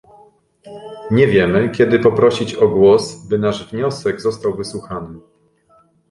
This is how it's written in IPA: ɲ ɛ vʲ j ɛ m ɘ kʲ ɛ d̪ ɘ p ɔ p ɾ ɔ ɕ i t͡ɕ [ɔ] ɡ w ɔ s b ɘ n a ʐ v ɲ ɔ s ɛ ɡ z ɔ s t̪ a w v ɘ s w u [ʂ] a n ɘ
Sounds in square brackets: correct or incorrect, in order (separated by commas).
correct, incorrect